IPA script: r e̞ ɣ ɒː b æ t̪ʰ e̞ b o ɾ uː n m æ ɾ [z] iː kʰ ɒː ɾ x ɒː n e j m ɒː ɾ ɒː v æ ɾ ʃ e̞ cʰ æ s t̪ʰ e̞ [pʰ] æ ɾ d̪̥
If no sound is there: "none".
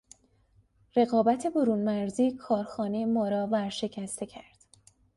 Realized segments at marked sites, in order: z, cʰ

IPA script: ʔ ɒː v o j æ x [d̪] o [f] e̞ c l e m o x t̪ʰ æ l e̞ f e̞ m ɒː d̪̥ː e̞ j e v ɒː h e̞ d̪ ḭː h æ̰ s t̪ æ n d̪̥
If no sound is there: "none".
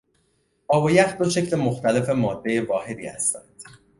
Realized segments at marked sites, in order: d̪, ʃ

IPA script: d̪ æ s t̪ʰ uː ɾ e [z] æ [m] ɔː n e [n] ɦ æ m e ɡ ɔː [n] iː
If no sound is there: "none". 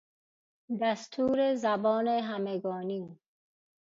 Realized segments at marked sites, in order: z, b, none, n

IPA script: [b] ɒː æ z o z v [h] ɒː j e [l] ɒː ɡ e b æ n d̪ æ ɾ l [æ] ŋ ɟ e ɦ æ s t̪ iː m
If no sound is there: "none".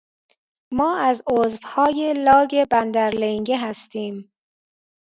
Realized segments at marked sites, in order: m, h, l, e

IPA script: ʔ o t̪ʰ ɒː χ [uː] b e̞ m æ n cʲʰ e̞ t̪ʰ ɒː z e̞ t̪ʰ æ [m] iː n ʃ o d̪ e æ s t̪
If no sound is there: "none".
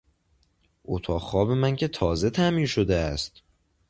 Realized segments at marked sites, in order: ɒː, m

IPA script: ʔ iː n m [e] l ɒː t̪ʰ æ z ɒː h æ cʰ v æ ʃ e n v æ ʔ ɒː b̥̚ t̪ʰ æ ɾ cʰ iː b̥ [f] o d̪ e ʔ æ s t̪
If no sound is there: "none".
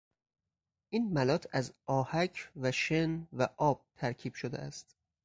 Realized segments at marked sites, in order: æ, ʃ

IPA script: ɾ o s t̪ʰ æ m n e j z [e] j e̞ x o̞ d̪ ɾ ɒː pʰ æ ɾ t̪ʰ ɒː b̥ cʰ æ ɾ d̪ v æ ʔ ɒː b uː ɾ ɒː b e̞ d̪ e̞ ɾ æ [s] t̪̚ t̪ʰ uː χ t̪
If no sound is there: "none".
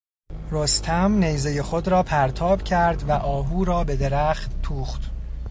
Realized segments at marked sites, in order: e, χ

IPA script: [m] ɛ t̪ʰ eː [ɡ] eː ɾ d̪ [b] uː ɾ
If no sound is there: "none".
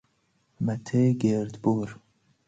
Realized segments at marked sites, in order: m, ɡ, b

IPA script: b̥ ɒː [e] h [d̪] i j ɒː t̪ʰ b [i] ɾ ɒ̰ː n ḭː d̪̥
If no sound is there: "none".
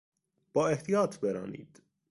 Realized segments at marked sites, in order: e, t̪, e

